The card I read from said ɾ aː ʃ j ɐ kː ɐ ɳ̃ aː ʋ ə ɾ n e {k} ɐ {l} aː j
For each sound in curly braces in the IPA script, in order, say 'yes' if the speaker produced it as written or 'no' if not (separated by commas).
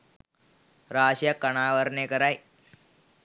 yes, no